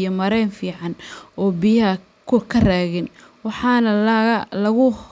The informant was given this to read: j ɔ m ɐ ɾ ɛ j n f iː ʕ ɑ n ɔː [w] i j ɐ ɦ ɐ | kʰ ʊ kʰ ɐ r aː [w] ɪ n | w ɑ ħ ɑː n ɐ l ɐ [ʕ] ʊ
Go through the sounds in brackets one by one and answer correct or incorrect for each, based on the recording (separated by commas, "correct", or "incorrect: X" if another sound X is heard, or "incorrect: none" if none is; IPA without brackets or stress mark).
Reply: incorrect: b, incorrect: ɣ, incorrect: ɣ